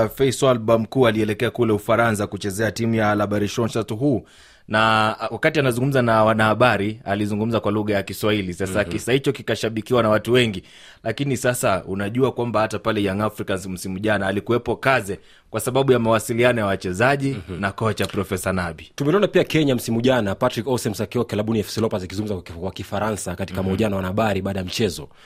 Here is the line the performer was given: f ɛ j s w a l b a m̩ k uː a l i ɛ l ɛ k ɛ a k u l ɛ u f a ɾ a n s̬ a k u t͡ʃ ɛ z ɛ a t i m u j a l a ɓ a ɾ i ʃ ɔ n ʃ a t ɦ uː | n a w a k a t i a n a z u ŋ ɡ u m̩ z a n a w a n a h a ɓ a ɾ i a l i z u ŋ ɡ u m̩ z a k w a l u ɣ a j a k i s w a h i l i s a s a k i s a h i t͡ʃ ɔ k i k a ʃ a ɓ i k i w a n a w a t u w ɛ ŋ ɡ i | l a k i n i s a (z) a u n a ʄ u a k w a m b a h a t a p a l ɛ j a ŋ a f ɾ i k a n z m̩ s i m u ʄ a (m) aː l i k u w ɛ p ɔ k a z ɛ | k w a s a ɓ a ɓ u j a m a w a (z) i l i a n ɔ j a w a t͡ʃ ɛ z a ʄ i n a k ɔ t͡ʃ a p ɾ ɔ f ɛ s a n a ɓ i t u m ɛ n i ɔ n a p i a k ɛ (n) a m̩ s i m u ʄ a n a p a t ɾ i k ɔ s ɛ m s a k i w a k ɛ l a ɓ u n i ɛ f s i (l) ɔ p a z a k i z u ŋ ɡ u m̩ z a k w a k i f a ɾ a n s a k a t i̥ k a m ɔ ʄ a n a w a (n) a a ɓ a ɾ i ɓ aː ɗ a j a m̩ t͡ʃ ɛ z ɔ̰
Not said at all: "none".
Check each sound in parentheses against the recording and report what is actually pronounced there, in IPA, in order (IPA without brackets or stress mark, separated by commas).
s, n, s, ɲ, l, n